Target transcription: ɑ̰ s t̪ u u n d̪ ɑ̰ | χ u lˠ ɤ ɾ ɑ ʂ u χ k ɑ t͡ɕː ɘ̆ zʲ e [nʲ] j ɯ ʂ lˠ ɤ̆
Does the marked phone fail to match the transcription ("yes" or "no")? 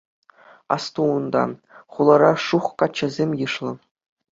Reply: yes